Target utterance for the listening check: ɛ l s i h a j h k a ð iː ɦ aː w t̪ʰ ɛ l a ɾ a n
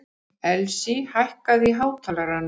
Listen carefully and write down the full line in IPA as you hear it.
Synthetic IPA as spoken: ɛ l s i h a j h k a ð i ɦ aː w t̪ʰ a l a ɾ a n